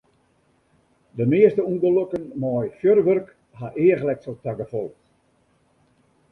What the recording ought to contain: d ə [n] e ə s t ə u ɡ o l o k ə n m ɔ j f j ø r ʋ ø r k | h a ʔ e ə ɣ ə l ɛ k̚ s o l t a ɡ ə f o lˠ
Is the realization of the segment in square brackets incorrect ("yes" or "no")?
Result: yes